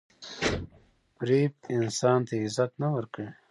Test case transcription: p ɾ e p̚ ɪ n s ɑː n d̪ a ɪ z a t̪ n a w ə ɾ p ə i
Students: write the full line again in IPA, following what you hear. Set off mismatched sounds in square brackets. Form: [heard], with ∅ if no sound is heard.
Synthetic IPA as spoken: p ɾ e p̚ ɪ n s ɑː n [t̪] a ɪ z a t̪ n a w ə ɾ [k] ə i

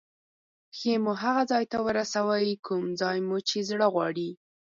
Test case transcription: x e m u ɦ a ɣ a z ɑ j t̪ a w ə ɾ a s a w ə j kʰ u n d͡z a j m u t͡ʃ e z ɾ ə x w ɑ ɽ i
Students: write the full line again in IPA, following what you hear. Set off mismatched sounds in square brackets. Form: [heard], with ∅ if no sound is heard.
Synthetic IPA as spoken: x e m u ɦ a ɣ a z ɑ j t̪ a w ə ɾ a s a w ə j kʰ u [m] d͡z [ɑ] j m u t͡ʃ e z [ɽ] ə [ɣ] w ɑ ɽ i

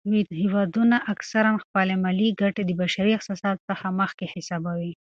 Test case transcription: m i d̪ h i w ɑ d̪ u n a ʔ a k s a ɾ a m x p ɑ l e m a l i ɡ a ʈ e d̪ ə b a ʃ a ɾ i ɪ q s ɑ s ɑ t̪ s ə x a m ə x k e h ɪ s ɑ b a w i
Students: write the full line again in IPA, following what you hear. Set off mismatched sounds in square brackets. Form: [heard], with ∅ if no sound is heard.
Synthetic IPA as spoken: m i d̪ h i w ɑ d̪ u n a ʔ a k s a ɾ a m x p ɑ l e m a l i ɡ a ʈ e d̪ ə b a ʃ a ɾ i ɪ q s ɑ s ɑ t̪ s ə x a m ə x k e h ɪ s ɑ b a w i

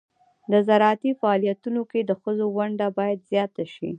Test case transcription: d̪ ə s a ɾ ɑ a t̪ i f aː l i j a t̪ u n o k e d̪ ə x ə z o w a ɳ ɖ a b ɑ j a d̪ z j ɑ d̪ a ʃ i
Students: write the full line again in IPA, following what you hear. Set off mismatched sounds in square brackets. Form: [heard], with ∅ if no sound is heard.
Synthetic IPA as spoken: d̪ ə [z] a ɾ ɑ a t̪ i f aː l i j a t̪ u n o k e d̪ ə x ə z o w a ɳ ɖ a b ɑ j a d̪ z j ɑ [t̪] a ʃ i

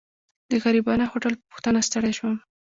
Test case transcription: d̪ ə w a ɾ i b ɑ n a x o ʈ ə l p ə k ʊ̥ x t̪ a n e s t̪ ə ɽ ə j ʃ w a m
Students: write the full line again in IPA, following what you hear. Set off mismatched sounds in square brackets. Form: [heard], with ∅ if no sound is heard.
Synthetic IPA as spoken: d̪ ə [ɣ] a ɾ i b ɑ n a x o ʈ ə l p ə [p] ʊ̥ x t̪ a n [a] s t̪ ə ɽ [a] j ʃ w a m

